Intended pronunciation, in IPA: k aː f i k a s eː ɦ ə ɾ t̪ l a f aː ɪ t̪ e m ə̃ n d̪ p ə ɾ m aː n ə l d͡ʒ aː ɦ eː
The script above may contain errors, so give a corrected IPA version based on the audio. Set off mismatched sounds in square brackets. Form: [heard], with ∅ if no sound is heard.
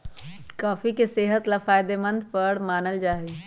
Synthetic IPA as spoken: k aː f i k [e] s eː ɦ ə [∅] t̪ l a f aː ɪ [d̪] e m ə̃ n d̪ p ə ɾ m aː n ə l d͡ʒ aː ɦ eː